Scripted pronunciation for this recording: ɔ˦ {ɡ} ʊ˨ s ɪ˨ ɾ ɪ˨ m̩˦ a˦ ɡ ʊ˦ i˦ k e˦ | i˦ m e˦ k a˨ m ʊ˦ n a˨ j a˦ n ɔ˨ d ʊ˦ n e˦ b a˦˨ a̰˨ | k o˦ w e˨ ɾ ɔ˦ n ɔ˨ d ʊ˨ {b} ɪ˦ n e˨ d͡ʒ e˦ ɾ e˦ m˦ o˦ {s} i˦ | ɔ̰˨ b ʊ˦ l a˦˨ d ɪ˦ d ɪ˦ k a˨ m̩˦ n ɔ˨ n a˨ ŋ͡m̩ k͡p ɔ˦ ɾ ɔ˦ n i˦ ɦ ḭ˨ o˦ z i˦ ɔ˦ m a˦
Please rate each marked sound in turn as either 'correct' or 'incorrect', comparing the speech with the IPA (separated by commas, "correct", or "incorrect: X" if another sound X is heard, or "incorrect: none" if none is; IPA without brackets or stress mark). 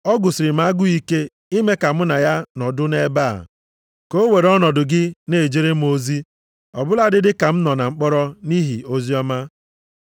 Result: correct, incorrect: ɡ, incorrect: z